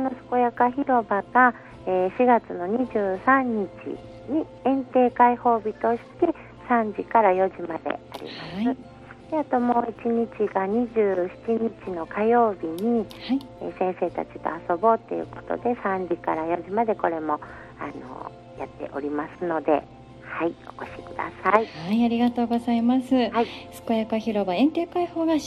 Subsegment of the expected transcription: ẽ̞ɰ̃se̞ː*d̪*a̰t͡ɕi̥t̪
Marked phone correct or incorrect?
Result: incorrect